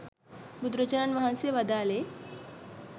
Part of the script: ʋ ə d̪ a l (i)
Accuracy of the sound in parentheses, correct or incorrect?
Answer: incorrect